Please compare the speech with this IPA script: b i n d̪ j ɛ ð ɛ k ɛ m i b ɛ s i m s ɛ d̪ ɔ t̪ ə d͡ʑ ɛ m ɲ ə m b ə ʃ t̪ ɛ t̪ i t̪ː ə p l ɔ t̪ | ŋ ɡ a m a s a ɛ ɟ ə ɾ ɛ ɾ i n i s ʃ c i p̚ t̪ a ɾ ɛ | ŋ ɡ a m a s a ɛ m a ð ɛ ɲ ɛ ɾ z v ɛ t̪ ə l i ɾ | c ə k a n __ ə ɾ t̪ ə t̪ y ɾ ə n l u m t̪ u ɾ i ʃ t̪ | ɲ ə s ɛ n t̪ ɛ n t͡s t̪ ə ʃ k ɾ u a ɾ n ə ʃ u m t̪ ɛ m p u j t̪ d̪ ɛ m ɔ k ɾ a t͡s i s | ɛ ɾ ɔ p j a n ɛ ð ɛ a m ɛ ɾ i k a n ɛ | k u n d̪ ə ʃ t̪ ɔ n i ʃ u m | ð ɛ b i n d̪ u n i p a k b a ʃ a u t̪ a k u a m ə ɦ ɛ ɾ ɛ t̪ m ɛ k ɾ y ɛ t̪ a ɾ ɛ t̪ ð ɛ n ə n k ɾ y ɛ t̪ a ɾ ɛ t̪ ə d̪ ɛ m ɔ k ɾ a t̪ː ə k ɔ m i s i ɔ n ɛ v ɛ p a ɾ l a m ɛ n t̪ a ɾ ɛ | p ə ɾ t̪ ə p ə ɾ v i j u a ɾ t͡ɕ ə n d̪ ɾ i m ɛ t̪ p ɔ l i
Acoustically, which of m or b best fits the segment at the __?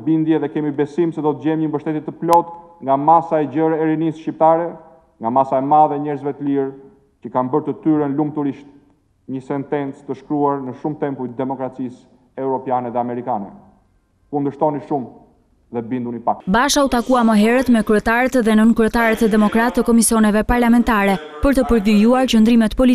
b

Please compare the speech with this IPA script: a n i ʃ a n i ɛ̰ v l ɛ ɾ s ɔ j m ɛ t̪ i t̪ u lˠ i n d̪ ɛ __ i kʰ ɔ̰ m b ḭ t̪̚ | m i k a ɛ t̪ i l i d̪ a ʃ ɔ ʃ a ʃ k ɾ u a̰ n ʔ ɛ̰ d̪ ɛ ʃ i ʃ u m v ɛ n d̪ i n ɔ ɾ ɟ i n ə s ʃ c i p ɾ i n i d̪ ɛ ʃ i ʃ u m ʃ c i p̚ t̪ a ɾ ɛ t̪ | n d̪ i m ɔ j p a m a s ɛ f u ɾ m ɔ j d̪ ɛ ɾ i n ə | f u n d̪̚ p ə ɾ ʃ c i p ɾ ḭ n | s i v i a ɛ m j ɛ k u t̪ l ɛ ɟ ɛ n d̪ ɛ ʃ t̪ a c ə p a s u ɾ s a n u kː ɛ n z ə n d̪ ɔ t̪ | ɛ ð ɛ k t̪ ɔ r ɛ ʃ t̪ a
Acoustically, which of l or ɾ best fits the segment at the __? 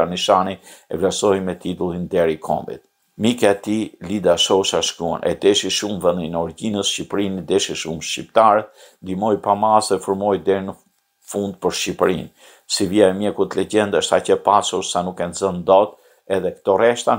ɾ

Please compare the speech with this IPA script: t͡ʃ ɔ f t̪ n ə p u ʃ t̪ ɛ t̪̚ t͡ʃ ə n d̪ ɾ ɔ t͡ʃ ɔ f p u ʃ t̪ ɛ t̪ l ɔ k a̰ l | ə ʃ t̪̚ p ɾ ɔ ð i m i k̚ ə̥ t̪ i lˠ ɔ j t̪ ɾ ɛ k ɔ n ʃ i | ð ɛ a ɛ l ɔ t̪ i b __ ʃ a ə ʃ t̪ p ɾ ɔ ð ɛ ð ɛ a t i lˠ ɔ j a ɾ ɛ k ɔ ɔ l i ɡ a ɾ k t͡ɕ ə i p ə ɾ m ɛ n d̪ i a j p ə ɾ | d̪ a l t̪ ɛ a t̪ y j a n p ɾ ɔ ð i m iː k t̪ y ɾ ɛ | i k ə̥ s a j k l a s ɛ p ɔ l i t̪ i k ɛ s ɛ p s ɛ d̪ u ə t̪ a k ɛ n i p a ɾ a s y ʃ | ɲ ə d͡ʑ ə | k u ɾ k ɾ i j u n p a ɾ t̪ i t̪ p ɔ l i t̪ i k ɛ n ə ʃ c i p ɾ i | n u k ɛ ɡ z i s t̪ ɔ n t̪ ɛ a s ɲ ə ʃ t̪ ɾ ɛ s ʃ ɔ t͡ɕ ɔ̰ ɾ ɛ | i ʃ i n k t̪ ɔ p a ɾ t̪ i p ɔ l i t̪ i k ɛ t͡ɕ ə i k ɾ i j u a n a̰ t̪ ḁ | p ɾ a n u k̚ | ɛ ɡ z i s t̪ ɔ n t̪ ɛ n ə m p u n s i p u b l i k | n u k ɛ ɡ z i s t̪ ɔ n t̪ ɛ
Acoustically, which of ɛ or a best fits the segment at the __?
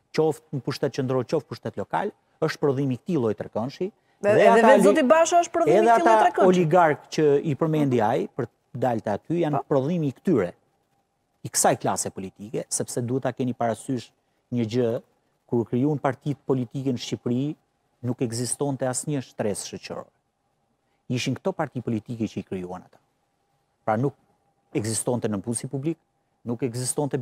a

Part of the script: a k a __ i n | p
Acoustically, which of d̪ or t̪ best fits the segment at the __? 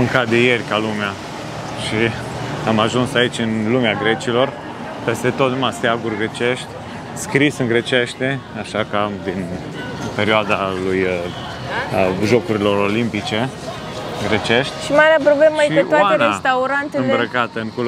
d̪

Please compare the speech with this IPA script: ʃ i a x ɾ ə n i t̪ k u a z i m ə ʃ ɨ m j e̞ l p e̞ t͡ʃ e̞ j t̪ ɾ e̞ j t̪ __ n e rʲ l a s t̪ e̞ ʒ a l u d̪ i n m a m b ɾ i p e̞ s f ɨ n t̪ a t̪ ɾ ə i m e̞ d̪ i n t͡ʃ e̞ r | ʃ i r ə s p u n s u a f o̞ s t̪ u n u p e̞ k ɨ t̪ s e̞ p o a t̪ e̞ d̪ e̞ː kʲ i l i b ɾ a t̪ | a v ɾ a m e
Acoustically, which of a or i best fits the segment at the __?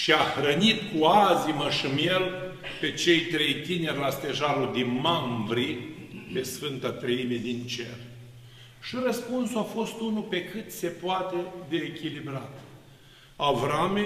i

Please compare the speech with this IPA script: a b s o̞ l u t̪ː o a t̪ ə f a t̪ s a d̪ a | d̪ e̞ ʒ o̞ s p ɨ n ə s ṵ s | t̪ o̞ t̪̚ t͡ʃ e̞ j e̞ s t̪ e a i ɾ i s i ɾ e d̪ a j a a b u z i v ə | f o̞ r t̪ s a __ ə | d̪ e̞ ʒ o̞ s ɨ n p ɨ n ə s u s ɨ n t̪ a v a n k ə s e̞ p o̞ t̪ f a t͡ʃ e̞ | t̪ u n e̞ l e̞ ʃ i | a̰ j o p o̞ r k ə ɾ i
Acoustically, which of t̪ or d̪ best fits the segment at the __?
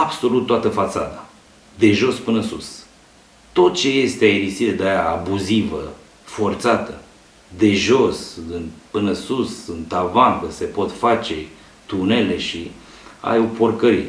t̪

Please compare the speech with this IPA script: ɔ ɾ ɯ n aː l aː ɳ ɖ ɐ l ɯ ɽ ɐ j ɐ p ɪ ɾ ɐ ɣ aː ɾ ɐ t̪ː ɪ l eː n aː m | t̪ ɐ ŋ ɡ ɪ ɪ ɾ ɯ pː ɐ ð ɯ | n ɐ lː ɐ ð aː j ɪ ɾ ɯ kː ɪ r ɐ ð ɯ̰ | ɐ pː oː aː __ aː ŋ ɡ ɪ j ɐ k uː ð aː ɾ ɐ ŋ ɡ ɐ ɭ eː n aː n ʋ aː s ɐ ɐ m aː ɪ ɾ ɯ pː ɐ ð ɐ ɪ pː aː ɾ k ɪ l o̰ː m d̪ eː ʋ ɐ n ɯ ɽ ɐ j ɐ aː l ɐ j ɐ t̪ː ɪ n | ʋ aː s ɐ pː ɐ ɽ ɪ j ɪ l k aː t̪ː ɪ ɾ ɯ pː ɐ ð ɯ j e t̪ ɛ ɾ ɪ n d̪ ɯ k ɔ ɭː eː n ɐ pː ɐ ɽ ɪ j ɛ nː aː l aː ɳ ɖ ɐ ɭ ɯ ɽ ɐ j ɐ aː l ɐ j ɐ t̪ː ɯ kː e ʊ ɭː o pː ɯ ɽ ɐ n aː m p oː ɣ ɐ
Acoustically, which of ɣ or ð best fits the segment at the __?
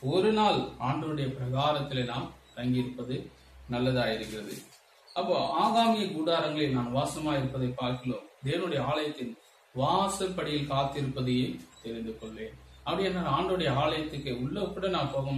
ɣ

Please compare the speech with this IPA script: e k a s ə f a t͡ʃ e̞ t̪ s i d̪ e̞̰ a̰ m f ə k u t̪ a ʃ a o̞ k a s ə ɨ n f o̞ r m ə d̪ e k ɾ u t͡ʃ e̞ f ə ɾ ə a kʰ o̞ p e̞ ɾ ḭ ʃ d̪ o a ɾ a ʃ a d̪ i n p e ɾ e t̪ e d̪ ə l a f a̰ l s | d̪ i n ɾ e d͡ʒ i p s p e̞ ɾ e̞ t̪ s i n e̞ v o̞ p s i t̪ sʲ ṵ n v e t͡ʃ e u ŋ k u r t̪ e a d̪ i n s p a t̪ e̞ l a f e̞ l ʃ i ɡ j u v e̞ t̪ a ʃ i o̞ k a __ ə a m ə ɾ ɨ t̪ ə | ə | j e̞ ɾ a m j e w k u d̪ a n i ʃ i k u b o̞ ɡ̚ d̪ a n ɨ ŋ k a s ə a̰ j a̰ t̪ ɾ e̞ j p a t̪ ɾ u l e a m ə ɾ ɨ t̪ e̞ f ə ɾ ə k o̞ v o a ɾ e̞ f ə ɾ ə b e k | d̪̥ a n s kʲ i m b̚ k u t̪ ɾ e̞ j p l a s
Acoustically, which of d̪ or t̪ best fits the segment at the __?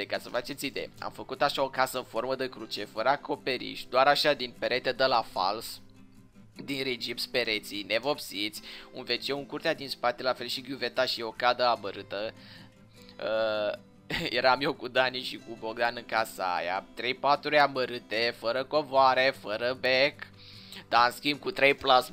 d̪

